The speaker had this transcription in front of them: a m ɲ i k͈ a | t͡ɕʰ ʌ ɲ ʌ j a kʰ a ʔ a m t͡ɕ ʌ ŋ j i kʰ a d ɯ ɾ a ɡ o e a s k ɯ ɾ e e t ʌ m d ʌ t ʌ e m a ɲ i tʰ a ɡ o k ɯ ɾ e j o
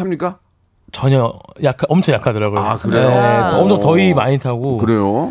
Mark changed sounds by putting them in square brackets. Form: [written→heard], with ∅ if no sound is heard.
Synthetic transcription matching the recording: a m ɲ i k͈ a | [t͡ɕʰ→t͡ɕ] ʌ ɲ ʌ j a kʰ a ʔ [a→ʌ] m [t͡ɕ→t͡ɕʰ] ʌ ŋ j [i→a] kʰ a d ɯ ɾ a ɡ o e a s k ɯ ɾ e e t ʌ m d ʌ t ʌ [e→i] m a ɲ i tʰ a ɡ o k ɯ ɾ e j o